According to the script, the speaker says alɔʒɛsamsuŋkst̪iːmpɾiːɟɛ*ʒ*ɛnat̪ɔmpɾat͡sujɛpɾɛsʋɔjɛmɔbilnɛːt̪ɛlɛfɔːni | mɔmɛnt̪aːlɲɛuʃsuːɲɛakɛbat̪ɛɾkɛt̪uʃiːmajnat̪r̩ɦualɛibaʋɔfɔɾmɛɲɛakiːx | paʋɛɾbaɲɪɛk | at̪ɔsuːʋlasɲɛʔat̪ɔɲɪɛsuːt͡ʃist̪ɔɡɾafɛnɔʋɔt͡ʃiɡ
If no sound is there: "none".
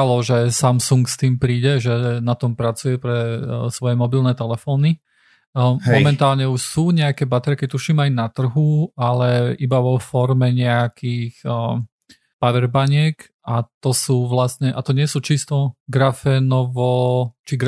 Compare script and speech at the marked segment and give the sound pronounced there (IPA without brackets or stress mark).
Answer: ʒ